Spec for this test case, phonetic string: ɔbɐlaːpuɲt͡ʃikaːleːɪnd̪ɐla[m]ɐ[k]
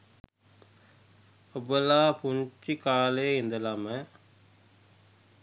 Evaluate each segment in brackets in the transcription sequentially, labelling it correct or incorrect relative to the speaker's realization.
correct, incorrect: none

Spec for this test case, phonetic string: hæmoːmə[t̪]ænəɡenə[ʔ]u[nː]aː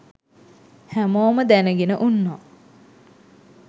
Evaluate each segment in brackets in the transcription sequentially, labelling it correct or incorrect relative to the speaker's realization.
incorrect: d̪, correct, correct

